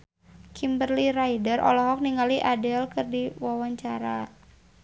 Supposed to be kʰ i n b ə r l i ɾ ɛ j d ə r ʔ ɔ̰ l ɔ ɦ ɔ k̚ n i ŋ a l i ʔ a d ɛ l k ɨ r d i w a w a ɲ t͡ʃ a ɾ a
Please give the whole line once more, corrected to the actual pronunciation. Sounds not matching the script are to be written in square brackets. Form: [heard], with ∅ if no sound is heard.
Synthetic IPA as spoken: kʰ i [m] b ə r l i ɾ [a] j d ə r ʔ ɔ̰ l ɔ ɦ ɔ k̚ n i ŋ a l i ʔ a d ɛ l k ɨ r d i w a w a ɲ t͡ʃ a ɾ a